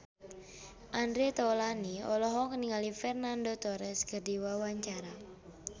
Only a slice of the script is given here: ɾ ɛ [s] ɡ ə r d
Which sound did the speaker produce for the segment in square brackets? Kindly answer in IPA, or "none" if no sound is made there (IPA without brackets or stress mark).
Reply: s